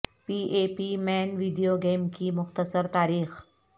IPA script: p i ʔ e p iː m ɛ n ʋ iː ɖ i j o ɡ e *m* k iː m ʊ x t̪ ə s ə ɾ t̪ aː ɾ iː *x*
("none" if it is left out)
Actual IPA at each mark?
m, x

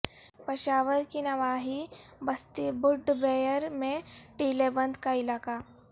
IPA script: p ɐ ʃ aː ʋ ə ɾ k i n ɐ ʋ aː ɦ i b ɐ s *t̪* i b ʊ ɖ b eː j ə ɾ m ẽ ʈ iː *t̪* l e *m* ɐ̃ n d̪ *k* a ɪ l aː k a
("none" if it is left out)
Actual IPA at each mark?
t̪, none, b, k

